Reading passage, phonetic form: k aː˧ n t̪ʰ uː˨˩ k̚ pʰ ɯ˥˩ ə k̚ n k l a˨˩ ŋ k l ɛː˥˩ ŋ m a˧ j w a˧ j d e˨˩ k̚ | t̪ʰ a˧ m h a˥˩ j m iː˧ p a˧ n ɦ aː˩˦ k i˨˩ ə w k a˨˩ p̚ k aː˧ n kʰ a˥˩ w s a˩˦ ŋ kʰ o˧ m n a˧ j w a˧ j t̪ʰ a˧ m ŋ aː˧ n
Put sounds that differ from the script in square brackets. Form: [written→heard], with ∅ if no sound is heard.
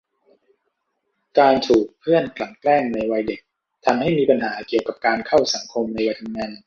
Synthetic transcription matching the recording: k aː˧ n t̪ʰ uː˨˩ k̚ pʰ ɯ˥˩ ə [k̚→∅] n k l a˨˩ ŋ k l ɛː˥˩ ŋ [m→n] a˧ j w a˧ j d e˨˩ k̚ | t̪ʰ a˧ m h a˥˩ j m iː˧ p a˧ n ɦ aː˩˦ k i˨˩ ə w k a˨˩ p̚ k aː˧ n kʰ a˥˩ w s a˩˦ ŋ kʰ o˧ m n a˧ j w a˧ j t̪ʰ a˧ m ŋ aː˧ n